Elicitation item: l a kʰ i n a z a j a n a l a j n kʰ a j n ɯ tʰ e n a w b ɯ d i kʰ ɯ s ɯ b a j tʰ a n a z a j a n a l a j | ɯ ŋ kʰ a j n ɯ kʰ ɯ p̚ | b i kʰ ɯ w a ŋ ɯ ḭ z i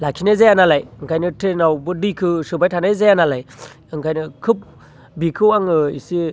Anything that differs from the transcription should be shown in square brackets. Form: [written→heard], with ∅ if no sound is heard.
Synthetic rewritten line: l a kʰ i n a z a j a n a l a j [n→ŋ] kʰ a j n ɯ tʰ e n a w b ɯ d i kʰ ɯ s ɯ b a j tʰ a n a z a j a n a l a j | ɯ ŋ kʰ a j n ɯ kʰ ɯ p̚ | b i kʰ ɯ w a ŋ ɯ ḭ [z→s] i